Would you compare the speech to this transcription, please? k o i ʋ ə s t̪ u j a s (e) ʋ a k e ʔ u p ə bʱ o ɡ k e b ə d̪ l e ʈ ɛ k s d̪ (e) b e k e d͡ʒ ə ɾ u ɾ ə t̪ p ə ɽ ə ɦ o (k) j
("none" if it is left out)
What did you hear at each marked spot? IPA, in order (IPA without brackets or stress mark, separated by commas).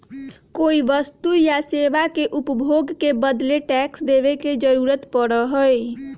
e, e, none